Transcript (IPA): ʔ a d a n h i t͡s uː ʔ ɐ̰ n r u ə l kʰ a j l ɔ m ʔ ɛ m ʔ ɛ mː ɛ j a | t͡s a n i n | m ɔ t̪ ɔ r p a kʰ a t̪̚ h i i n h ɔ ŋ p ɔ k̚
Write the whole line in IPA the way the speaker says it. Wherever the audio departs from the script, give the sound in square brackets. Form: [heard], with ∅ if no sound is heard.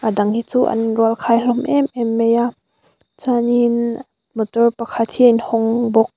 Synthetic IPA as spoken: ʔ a d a [ŋ] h i t͡s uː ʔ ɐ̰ n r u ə l kʰ a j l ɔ m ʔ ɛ m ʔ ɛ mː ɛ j a | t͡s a n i n | m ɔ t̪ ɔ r p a kʰ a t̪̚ h i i n h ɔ ŋ [b] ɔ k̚

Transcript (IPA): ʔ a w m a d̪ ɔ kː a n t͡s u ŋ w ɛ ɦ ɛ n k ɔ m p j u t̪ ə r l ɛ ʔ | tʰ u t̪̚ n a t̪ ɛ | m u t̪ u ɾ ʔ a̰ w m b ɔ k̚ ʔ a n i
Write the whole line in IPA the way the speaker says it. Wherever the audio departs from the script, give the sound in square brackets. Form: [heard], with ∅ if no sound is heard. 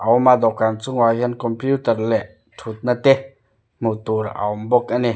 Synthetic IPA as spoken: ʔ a w m a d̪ ɔ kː a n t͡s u ŋ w [a] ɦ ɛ n k ɔ m p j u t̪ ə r l ɛ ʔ | tʰ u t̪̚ n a t̪ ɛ | m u t̪ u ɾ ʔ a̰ w m b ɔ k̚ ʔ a n i

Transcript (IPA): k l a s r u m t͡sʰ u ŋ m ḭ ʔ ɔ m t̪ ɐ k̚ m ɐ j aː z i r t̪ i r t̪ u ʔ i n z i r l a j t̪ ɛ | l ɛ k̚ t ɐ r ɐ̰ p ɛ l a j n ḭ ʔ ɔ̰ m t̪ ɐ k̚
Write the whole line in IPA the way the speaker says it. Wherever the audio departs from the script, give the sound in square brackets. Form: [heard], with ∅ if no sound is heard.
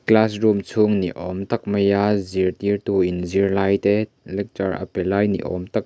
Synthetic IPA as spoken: k l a s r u m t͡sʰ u ŋ [n] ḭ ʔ ɔ m t̪ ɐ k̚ m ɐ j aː z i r t̪ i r t̪ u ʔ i n z i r l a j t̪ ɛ | l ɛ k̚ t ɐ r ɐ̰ p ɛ l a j n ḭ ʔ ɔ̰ m t̪ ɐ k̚

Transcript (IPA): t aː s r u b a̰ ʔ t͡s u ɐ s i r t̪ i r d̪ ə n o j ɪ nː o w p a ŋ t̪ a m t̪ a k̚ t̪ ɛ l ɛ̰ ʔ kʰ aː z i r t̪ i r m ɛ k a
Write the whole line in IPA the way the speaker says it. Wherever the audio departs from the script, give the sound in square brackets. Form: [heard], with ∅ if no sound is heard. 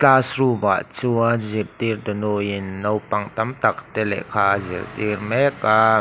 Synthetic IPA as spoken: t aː s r u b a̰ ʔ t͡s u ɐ [z] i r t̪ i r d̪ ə n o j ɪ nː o w p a ŋ t̪ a m t̪ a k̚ t̪ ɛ l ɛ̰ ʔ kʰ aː z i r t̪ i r m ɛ k a

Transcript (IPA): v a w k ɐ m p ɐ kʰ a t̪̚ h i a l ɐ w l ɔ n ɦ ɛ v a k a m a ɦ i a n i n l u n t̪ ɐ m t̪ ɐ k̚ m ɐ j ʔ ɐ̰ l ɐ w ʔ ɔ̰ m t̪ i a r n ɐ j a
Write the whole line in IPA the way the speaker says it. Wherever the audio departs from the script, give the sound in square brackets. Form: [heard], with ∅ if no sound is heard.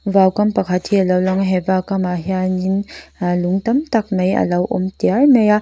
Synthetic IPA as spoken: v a w k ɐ m p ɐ kʰ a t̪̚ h i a l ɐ w l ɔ [ŋ] ɦ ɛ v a k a m a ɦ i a n i n l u [ŋ] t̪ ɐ m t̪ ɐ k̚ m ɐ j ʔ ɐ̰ l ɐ w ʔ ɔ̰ m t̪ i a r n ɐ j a

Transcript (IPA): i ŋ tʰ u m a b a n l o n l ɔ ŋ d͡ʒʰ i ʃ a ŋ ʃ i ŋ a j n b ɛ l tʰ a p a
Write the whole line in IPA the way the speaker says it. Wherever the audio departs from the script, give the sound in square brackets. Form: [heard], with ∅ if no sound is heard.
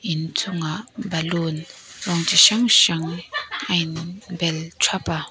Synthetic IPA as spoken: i [n] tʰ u [ŋ] a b a [∅] l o n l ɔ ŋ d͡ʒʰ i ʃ a ŋ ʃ [a] ŋ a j n b ɛ l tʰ a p a

